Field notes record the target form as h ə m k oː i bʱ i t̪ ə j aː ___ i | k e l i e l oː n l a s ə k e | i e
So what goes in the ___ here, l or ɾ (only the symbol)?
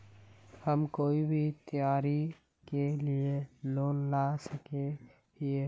ɾ